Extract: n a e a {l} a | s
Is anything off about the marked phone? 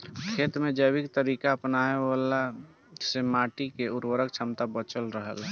no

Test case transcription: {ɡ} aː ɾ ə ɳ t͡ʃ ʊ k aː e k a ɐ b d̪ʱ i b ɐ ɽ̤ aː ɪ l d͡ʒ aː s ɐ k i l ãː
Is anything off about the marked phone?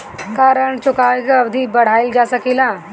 yes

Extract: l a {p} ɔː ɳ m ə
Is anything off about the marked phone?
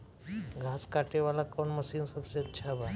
yes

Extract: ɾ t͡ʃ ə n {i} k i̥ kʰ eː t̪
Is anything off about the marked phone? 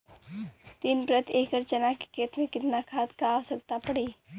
yes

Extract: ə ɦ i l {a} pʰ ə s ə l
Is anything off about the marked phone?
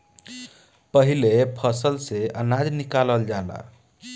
yes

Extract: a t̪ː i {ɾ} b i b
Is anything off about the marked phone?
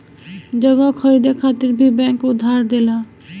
no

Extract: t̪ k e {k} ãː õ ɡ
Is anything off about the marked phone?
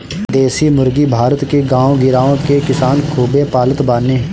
yes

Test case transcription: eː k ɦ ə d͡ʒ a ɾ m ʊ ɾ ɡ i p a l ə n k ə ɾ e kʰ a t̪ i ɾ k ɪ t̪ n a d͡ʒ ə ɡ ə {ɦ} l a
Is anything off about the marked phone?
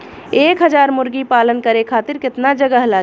no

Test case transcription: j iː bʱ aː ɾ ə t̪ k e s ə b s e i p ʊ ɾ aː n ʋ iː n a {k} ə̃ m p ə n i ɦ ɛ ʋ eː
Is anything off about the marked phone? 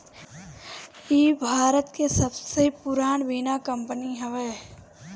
no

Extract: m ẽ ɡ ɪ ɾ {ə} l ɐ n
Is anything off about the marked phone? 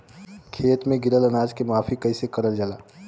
no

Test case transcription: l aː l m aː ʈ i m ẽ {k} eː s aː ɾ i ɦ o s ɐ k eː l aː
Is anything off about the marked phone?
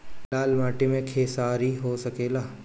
yes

